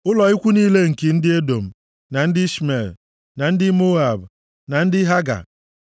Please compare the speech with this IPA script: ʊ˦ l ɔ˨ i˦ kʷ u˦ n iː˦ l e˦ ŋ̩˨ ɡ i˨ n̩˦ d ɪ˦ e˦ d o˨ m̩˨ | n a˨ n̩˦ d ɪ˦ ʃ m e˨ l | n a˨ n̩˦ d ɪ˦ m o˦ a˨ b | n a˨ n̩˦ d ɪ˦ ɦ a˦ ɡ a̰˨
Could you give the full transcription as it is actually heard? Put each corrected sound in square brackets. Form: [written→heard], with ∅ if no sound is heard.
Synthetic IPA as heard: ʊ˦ l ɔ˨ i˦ kʷ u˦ n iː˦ l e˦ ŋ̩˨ [ɡ→k] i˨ n̩˦ d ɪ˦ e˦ d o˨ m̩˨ | n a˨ n̩˦ d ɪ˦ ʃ m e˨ l | n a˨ n̩˦ d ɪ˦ m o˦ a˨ b | n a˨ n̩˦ d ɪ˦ ɦ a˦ ɡ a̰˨